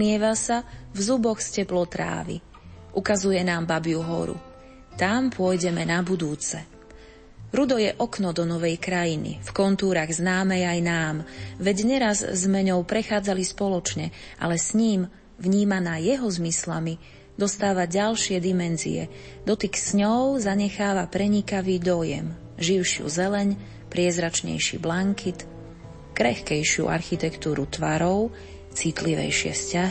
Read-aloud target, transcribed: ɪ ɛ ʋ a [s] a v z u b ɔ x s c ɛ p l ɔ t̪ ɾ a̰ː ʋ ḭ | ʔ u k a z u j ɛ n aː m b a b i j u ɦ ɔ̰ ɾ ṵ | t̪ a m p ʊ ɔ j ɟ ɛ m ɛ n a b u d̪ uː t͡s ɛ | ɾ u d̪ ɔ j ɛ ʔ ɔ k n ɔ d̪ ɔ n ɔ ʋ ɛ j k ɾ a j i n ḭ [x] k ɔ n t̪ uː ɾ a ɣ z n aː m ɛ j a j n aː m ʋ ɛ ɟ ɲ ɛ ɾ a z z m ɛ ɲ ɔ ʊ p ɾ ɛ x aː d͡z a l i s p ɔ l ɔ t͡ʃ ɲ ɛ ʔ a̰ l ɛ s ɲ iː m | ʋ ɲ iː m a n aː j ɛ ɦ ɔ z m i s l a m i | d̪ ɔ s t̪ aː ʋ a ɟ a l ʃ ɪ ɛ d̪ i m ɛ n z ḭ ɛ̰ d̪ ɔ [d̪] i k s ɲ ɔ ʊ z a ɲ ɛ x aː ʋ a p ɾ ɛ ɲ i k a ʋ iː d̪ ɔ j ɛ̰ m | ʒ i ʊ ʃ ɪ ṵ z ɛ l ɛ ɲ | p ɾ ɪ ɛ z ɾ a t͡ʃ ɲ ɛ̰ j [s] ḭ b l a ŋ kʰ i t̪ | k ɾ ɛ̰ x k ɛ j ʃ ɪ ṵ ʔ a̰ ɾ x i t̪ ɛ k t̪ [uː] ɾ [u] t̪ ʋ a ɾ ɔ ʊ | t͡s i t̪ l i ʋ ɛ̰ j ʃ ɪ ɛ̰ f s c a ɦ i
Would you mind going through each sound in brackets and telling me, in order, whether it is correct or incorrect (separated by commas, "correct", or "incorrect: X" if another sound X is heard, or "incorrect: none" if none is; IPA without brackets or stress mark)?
correct, incorrect: f, incorrect: t̪, incorrect: ʃ, correct, correct